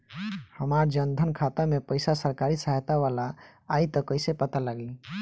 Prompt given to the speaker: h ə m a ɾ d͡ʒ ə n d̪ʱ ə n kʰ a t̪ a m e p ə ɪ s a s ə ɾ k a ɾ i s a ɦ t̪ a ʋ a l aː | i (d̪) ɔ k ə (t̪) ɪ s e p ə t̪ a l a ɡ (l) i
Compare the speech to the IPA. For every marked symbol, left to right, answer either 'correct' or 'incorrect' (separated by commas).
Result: incorrect, incorrect, correct